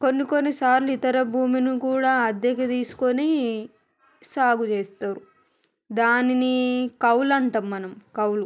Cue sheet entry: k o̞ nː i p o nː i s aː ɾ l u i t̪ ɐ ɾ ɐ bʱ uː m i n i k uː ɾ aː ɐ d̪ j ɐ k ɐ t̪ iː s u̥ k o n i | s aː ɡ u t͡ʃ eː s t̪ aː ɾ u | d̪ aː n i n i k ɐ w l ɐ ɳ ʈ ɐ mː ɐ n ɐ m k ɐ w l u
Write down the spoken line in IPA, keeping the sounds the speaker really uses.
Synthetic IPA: k o̞ nː i k o nː i s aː ɾ l u i t̪ ɐ ɾ ɐ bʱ uː m i n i k uː ɽ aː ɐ d̪ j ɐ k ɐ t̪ iː s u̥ k o n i | s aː ɡ u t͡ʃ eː s t̪ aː ɾ u | d̪ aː n i n i k ɐ w l ɐ ɳ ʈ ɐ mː ɐ n ɐ m k ɐ w l u

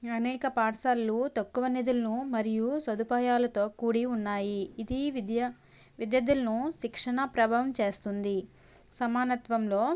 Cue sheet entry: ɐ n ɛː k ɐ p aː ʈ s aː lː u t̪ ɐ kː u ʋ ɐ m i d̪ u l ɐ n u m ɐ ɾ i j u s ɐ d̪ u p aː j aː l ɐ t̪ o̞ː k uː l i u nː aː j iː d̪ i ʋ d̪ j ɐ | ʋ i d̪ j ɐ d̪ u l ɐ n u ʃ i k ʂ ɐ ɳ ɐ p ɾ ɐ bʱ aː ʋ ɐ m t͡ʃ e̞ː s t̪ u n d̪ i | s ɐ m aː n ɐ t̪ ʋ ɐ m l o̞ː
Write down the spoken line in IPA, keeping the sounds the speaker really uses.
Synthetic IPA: ɐ n ɛː k ɐ p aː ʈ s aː lː u t̪ ɐ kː u ʋ ɐ n i d̪ u l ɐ n u m ɐ ɾ i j u s ɐ d̪ u p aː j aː l ɐ t̪ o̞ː k uː ɽ i u nː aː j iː d̪ i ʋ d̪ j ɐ | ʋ i d̪ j ɐ d̪ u l ɐ n u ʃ i k ʂ ɐ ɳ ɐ p ɾ ɐ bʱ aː ʋ ɐ m t͡ʃ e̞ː s t̪ u n d̪ i | s ɐ m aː n ɐ t̪ ʋ ɐ m l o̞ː

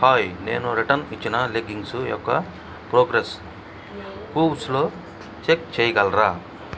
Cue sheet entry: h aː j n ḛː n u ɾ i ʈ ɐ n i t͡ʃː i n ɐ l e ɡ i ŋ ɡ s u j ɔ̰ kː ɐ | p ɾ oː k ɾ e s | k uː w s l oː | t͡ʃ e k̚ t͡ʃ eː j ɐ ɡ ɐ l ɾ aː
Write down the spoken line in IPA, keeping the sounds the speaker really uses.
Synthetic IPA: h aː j n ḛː n u ɾ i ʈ ɐ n i t͡ʃː i n ɐ l e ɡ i ŋ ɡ s u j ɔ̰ kː ɐ | p ɾ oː ɡ ɾ e s | k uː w s l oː | t͡ʃ e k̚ t͡ʃ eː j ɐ ɡ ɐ l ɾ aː

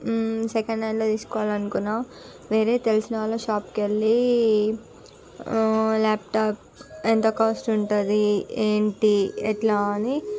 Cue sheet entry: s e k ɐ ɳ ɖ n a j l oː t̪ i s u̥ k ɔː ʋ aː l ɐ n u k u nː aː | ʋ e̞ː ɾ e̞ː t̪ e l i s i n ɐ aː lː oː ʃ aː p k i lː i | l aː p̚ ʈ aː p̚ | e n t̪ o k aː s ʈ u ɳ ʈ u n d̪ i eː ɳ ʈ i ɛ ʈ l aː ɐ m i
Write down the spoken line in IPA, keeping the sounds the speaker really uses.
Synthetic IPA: s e k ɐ ɳ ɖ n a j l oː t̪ iː s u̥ k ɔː ʋ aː l ɐ n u k u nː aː | ʋ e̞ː ɾ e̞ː t̪ e l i s i n ɐ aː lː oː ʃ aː p k e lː i | l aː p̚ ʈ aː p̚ | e n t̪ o k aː s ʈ u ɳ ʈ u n d̪ i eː ɳ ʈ i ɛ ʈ l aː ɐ n i

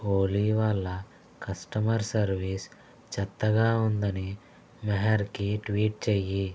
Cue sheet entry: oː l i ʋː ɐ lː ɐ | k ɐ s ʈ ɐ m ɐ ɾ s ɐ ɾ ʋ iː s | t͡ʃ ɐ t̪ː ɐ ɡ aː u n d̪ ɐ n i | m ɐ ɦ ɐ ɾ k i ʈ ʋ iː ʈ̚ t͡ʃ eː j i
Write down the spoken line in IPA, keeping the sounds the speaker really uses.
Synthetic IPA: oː l i ʋ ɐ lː ɐ | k ɐ s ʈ ɐ m ɐ ɾ s ɐ ɾ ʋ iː s | t͡ʃ ɐ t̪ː ɐ ɡ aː u n d̪ ɐ n i | m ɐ ɦ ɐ ɾ k i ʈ ʋ iː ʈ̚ t͡ʃ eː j i

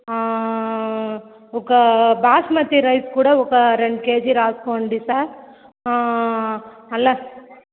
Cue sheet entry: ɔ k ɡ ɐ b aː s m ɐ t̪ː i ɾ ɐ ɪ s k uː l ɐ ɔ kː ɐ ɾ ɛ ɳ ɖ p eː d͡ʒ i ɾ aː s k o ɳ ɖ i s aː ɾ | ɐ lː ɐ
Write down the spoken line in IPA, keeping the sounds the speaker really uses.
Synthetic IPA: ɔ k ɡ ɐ b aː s m ɐ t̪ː i ɾ ɐ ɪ s k uː ɽ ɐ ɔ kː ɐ ɾ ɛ ɳ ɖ k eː d͡ʒ i ɾ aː s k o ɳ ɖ i s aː ɾ | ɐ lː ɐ

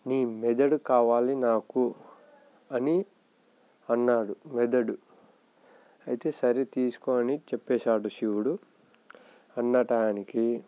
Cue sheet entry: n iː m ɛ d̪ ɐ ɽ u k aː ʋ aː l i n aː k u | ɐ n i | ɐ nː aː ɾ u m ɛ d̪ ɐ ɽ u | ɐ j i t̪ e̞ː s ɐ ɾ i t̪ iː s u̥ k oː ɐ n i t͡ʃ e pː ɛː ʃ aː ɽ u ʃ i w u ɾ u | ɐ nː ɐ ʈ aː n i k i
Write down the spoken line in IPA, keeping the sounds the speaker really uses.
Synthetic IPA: n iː m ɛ d̪ ɐ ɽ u k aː ʋ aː l i n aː k u | ɐ n i | ɐ nː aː ɽ u m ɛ d̪ ɐ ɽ u | ɐ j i t̪ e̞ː s ɐ ɾ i t̪ iː s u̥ k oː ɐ n i t͡ʃ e pː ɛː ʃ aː ɽ u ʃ i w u ɽ u | ɐ nː ɐ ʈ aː n i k i

